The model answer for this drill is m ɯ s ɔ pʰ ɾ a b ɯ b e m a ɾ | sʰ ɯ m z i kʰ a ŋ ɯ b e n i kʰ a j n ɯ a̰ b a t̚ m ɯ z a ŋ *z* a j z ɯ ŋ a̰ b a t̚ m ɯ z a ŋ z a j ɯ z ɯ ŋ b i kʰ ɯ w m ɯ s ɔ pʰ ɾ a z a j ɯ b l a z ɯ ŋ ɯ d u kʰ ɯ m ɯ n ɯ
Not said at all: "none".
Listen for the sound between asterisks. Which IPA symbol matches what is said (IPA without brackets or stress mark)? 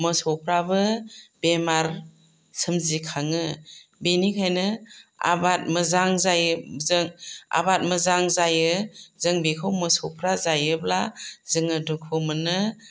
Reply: z